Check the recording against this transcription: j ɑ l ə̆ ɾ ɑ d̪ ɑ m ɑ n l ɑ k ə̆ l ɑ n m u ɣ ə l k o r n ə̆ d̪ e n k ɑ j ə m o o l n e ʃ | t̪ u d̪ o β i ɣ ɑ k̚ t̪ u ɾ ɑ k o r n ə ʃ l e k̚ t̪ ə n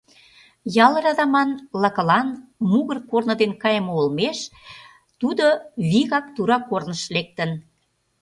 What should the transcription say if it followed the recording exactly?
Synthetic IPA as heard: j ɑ l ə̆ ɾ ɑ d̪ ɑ m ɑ n l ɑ k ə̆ l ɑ n m u ɣ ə r k o r n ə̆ d̪ e n k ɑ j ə m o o l m e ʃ | t̪ u d̪ o β i ɣ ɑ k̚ t̪ u ɾ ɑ k o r n ə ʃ l e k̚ t̪ ə n